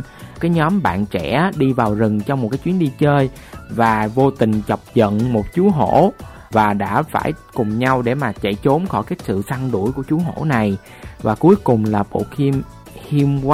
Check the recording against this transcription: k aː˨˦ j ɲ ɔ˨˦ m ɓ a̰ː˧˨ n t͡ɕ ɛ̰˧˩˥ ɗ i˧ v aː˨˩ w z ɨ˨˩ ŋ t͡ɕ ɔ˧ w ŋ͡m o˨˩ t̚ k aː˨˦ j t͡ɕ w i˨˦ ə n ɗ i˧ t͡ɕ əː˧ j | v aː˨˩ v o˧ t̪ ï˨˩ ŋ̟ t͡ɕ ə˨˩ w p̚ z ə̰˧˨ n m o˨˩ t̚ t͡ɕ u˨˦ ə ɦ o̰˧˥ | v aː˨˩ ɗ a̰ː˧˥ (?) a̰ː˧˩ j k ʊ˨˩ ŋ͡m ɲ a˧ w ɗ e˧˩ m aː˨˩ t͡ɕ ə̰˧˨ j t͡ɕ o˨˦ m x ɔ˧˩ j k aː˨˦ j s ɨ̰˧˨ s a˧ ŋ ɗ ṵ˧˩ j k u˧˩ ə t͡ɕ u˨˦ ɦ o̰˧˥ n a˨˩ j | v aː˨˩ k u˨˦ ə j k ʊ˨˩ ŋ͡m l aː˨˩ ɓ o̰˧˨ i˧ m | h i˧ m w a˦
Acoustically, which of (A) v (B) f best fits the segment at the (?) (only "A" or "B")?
B